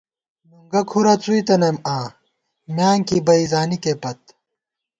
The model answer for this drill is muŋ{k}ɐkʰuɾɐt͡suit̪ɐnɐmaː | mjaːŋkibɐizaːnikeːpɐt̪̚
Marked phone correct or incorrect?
incorrect